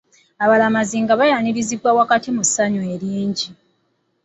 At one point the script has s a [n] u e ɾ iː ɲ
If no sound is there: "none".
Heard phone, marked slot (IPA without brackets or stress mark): ɲ